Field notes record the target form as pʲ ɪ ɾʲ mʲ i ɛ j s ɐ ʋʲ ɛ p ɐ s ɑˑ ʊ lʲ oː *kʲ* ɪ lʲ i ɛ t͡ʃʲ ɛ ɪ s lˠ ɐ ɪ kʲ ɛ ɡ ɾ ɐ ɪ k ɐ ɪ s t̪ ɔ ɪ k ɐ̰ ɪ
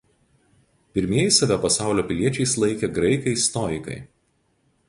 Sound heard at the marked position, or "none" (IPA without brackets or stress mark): pʲ